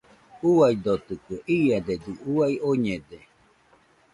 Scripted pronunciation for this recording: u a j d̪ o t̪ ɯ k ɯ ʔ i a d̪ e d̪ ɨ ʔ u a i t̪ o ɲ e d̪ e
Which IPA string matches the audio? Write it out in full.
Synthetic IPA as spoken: u a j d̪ o t̪ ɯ k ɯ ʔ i a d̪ e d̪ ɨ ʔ u a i o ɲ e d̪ e

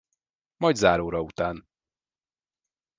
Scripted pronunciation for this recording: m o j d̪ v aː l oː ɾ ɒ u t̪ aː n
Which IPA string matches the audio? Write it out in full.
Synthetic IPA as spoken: m ɒ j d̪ z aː ɾ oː ɾ ɒ u t̪ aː n

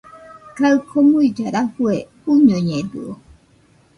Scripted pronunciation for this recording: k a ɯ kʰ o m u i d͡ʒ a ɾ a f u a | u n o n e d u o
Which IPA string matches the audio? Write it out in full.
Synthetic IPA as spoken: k a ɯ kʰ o m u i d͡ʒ a ɾ a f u e | u ɲ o ɲ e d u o

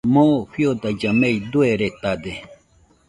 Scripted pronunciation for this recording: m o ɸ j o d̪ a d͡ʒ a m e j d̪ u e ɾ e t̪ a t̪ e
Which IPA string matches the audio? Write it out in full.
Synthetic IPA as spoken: m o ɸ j o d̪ a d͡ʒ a m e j d̪ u e ɾ e t̪ a d̪ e

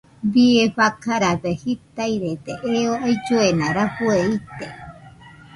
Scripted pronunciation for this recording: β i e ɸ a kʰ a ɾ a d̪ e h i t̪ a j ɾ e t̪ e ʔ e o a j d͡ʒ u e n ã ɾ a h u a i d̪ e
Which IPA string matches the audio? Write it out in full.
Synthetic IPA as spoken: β i e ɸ a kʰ a ɾ a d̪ e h i t̪ a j ɾ e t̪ e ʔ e o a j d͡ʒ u e n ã ɾ a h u e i t̪ e

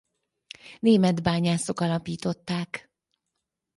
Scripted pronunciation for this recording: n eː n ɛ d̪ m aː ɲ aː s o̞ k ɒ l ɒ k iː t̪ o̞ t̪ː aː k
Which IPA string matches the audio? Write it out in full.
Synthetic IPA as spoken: n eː m ɛ d̪ b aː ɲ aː s o̞ k ɒ l ɒ p iː t̪ o̞ t̪ː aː k

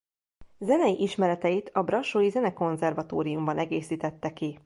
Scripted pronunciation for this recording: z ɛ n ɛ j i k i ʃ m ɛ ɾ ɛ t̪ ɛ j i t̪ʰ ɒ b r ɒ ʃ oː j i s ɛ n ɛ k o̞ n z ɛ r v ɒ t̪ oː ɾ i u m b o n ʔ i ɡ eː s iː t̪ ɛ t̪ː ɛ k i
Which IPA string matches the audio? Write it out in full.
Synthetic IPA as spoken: z ɛ n ɛ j i ʔ i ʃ m ɛ ɾ ɛ t̪ ɛ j i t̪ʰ ɒ b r ɒ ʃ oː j i z ɛ n ɛ k o̞ n z ɛ r v ɒ t̪ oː ɾ i u m b ɒ n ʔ ɛ ɡ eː s iː t̪ ɛ t̪ː ɛ k i

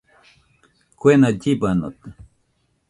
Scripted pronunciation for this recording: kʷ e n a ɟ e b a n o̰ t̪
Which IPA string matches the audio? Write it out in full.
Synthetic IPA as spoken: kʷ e n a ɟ i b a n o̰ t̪

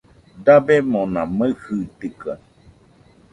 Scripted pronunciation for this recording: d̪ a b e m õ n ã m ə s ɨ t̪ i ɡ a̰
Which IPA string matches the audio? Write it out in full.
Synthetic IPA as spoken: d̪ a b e m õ n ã m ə h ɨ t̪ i k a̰

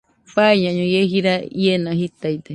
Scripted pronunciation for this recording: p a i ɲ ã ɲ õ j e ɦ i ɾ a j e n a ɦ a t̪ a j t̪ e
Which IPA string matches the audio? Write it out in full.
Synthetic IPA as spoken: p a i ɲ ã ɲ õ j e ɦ i ɾ a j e n a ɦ i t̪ a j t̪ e

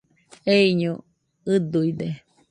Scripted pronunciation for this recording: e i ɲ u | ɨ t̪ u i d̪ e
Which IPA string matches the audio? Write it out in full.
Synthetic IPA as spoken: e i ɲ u | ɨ d̪ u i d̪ e

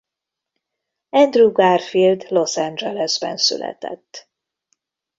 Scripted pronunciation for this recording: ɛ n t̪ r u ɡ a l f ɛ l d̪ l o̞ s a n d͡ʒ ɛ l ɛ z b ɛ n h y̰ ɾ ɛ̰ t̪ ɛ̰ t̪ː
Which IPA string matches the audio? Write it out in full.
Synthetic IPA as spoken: ɛ n d̪ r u ɡ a r f i l d̪ l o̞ s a n d͡ʒ ɛ l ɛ z b ɛ n s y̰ l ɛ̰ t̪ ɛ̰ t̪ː

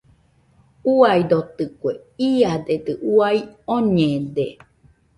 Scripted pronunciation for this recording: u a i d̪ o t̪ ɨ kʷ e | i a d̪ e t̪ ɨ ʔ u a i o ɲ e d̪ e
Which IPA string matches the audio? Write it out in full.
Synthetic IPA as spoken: u a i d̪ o t̪ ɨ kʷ e | i a d̪ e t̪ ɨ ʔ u a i o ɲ e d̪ e

